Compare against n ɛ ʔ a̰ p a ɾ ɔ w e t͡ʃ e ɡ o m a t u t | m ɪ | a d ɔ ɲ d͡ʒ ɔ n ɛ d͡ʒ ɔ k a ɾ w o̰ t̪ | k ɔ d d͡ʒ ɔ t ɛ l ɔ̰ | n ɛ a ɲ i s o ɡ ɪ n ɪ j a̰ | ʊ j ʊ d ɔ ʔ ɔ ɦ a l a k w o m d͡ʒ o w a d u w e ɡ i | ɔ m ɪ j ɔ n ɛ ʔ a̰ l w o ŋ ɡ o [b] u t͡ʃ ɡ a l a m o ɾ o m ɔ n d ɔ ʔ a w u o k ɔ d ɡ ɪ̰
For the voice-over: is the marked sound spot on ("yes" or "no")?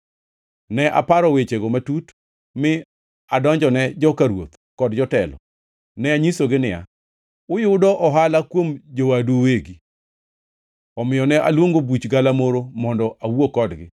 yes